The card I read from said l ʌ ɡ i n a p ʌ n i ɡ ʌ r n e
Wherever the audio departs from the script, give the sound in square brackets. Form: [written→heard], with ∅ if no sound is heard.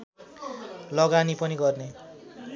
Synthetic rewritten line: l ʌ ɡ [i→a] n [a→i] p ʌ n i ɡ ʌ r n e

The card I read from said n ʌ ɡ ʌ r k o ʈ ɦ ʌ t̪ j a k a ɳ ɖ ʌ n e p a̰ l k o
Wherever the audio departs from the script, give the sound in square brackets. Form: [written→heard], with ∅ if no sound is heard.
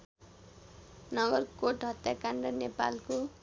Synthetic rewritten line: n ʌ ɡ ʌ r k o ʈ ɦ ʌ t̪ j a k a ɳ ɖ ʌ n e p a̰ l k o

